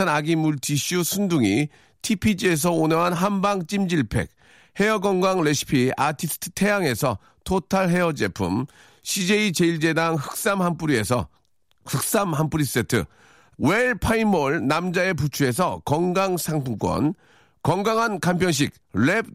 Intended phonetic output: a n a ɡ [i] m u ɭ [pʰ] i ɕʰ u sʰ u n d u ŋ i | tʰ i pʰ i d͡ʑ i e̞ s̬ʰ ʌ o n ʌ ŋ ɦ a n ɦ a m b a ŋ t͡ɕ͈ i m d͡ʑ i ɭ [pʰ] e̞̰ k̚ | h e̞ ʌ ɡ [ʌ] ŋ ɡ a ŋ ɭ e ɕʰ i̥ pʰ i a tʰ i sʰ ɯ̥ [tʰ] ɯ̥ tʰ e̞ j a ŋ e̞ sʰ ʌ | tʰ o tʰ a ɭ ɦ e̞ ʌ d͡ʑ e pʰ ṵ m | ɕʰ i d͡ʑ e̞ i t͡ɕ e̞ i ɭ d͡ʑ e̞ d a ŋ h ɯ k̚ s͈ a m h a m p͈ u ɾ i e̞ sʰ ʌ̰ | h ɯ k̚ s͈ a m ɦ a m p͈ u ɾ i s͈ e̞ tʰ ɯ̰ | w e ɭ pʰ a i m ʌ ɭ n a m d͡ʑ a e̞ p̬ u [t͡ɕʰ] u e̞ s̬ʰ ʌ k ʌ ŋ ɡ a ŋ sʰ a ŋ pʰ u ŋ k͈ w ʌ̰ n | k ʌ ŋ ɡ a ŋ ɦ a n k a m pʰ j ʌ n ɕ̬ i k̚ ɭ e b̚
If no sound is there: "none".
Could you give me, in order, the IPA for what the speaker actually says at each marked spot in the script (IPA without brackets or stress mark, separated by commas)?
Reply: i, tʰ, pʰ, ʌ, tʰ, t͡ɕʰ